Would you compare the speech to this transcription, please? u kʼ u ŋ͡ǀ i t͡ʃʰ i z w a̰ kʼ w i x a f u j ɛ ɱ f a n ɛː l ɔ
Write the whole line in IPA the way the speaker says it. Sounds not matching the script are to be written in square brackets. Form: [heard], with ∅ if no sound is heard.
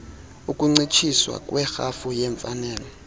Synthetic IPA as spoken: u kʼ u ŋ͡ǀ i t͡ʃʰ i [s] w a̰ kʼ w [ɛ] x a f u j ɛ ɱ f a n ɛː l ɔ